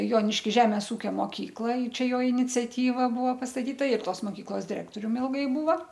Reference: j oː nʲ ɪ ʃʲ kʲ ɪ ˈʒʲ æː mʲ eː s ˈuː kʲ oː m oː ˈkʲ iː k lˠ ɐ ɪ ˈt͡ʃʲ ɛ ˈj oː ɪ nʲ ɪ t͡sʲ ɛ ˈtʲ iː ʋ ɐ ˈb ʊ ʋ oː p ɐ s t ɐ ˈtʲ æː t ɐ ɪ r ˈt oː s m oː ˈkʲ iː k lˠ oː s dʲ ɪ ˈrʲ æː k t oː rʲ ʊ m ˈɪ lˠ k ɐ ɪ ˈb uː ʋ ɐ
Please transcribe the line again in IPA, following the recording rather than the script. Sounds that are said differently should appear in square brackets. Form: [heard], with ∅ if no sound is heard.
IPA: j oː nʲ ɪ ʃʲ kʲ ɪ ˈʒʲ æː mʲ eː s ˈuː kʲ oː m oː ˈkʲ iː k lˠ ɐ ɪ ˈt͡ʃʲ ɛ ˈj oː ɪ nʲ ɪ t͡sʲ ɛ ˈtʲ iː ʋ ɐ ˈb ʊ ʋ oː p ɐ s t ɐ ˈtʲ [iː] t ɐ ɪ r ˈt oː s m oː ˈkʲ iː k lˠ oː s dʲ ɪ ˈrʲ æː k t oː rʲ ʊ m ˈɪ lˠ [ɡ] ɐ ɪ ˈb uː ʋ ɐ